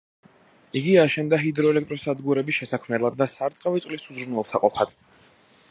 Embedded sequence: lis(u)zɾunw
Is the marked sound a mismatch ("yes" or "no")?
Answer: no